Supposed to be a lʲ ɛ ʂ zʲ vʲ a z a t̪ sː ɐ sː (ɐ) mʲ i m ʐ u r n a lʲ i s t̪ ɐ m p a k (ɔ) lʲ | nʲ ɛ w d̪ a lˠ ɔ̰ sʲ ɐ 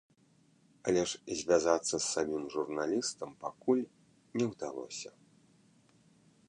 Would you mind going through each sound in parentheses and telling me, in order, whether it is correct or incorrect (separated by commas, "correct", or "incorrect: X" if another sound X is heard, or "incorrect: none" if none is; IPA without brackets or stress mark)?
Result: incorrect: a, incorrect: u